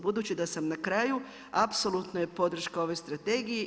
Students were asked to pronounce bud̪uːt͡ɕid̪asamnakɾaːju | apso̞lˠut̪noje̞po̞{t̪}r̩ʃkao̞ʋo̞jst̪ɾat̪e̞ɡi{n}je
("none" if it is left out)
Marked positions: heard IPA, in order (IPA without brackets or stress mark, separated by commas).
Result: d̪, none